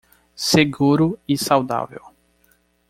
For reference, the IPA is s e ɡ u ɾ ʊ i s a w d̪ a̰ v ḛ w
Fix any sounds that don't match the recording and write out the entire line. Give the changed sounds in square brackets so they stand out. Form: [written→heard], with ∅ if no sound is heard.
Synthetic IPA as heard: s e ɡ u ɾ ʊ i s a w d̪ a̰ v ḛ w